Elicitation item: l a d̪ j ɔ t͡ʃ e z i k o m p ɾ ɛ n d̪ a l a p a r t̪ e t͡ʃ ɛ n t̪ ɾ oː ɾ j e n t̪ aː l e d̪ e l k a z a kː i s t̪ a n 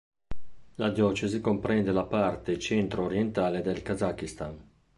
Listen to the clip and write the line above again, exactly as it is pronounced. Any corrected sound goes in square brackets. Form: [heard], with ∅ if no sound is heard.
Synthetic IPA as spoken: l a d̪ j ɔ t͡ʃ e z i k o m p ɾ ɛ n d̪ [e] l a p a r t̪ e t͡ʃ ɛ n t̪ ɾ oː ɾ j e n t̪ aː l e d̪ e l k a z a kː i s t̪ a n